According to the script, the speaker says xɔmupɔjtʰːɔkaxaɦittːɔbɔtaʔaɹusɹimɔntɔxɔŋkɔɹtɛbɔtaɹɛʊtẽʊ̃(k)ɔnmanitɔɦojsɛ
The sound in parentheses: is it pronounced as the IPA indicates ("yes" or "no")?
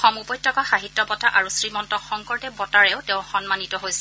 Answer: no